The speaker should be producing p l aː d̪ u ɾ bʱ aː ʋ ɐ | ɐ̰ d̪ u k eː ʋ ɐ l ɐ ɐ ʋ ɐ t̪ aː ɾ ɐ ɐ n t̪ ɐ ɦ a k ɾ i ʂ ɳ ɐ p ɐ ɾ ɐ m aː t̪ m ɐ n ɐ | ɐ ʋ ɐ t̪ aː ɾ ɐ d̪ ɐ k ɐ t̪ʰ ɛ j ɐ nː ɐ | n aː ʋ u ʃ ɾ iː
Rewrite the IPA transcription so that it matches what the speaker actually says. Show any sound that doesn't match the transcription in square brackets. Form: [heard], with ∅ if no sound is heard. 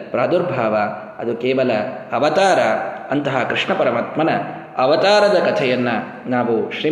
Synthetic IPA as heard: p [ɾ] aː d̪ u ɾ bʱ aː ʋ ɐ | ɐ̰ d̪ u k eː ʋ ɐ l ɐ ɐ ʋ ɐ t̪ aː ɾ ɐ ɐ n t̪ ɐ ɦ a k ɾ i ʂ ɳ ɐ p ɐ ɾ ɐ m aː t̪ m ɐ n ɐ | ɐ ʋ ɐ t̪ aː ɾ ɐ d̪ ɐ k ɐ t̪ʰ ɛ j ɐ nː ɐ | n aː ʋ u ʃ ɾ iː